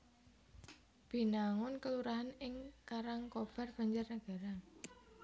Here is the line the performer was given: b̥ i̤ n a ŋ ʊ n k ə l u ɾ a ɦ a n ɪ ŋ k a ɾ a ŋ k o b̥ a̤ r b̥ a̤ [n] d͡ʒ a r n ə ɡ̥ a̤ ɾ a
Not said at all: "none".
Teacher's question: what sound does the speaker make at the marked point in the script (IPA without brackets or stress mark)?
ɲ